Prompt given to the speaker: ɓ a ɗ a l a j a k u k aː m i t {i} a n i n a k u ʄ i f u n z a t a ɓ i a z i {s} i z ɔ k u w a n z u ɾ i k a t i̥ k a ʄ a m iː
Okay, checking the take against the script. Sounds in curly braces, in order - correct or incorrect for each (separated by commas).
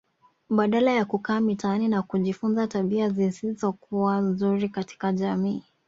incorrect, correct